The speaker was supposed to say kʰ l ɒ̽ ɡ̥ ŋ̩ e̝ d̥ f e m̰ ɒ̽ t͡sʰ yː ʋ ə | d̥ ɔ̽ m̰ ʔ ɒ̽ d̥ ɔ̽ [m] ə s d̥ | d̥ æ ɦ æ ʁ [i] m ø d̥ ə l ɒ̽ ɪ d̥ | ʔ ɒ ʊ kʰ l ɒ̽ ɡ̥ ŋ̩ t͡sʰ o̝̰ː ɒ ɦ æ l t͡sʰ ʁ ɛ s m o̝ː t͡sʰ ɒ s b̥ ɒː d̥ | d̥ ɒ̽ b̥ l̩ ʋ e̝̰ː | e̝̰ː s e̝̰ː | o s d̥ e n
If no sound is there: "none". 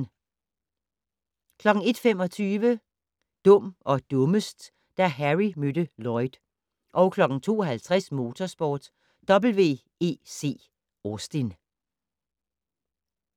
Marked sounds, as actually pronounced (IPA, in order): m, i

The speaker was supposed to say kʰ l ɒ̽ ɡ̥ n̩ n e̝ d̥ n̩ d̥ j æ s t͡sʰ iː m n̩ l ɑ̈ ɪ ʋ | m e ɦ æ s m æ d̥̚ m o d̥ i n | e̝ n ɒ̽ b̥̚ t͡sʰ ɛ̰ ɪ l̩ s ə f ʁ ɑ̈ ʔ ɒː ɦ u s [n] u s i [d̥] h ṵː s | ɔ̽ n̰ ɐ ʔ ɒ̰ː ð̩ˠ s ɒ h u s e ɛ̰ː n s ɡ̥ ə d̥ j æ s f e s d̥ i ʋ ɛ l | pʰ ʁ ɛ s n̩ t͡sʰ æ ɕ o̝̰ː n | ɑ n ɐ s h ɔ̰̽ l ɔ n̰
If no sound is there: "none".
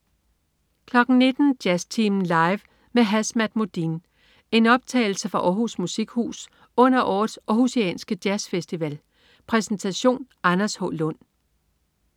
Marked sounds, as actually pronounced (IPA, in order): m, ɡ̥

